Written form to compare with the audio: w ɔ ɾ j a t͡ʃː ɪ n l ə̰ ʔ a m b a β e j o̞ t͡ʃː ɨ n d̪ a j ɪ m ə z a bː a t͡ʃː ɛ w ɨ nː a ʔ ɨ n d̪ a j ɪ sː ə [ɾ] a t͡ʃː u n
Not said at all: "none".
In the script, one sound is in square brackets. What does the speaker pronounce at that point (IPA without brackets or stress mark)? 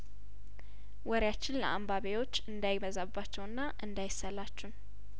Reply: l